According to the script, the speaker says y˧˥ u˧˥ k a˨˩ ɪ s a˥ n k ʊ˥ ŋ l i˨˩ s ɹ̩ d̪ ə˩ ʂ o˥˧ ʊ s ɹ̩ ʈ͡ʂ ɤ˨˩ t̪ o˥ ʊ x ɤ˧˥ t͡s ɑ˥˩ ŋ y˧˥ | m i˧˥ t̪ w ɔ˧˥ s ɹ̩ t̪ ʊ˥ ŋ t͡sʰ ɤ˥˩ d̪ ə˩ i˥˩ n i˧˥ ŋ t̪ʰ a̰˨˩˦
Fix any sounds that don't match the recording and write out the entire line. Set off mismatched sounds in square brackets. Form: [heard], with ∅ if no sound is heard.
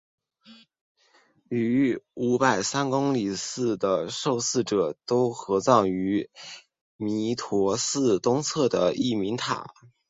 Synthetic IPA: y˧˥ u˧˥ [p] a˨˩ ɪ s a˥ n k ʊ˥ ŋ l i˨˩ s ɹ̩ d̪ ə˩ ʂ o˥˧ ʊ s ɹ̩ ʈ͡ʂ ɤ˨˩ t̪ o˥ ʊ x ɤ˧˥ t͡s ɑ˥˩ ŋ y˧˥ | m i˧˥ [t̪ʰ] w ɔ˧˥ s ɹ̩ t̪ ʊ˥ ŋ t͡sʰ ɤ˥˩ d̪ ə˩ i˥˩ [m] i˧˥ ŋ t̪ʰ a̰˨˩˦